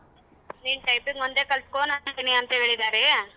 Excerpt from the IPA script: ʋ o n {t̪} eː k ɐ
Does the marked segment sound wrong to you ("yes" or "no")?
yes